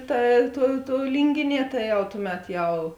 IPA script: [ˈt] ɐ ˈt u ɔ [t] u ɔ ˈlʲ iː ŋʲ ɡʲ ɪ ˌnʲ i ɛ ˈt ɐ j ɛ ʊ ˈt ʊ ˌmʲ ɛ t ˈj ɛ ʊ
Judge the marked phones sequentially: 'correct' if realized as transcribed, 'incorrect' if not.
correct, correct

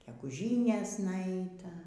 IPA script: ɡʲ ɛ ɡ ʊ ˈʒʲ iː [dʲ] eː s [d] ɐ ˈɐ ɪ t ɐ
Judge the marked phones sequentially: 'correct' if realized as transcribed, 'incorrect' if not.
incorrect, incorrect

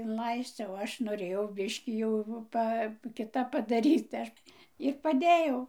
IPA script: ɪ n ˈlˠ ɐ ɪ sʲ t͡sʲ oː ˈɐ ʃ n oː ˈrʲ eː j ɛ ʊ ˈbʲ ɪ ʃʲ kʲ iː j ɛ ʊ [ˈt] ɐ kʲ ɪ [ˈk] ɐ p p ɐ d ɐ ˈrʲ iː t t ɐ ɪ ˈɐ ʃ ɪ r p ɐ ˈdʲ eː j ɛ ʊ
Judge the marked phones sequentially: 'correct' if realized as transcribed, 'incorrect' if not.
incorrect, incorrect

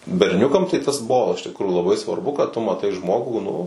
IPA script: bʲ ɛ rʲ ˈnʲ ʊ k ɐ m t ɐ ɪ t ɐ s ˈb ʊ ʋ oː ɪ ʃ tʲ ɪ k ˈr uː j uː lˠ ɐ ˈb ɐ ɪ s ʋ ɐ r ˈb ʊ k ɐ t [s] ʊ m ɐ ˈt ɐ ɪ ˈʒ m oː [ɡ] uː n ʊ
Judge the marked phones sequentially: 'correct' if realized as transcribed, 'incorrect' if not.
incorrect, correct

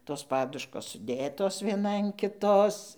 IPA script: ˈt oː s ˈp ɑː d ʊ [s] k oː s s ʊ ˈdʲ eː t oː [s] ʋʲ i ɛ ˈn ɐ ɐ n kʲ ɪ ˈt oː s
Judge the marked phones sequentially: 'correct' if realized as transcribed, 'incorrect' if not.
incorrect, correct

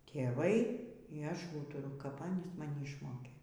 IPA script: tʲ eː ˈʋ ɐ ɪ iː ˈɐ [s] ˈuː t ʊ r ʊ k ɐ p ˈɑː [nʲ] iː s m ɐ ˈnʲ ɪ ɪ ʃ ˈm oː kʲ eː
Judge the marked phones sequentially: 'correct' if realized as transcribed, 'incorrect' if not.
incorrect, correct

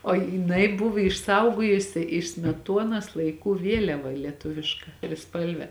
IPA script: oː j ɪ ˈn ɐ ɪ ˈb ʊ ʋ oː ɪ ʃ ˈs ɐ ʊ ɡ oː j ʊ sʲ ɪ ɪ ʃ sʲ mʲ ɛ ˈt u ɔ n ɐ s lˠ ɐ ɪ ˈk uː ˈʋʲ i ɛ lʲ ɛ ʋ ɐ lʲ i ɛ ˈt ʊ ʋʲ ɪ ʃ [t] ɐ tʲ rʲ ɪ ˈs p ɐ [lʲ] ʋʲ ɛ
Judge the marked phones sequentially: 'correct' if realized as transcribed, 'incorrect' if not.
incorrect, correct

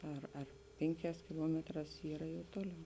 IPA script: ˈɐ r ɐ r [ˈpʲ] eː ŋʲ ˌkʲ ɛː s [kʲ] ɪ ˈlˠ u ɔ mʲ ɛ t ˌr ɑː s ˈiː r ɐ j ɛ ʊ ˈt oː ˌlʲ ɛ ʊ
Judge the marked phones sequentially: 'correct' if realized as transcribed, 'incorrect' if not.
correct, correct

